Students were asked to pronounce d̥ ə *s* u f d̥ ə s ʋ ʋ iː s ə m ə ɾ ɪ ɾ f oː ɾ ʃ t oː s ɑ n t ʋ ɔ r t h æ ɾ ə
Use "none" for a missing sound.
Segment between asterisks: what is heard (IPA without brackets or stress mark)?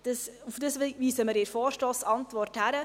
s